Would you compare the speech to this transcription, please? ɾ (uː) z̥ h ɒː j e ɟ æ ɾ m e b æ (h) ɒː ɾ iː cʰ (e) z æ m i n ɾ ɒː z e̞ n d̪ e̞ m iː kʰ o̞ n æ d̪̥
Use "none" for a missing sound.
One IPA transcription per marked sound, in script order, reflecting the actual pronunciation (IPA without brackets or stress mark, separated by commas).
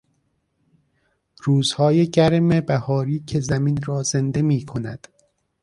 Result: uː, h, e